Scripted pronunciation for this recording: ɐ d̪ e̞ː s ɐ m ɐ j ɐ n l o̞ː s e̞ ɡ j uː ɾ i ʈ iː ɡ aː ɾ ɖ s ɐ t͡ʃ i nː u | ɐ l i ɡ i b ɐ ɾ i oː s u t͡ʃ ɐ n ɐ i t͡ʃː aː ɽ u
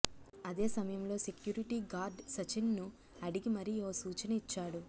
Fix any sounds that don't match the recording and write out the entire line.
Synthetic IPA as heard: ɐ d̪ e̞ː s ɐ m ɐ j ɐ m l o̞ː s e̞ k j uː ɾ i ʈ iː ɡ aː ɾ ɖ s ɐ t͡ʃ i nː u | ɐ ɽ i ɡ i m ɐ ɾ i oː s uː t͡ʃ ɐ n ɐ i t͡ʃː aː ɽ u